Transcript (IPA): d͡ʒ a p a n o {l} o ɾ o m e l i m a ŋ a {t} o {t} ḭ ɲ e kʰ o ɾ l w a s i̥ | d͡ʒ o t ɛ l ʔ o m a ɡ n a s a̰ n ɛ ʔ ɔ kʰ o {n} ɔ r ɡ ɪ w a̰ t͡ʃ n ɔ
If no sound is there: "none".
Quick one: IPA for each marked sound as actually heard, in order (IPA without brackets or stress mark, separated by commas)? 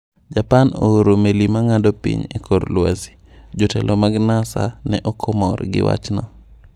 none, d, p, m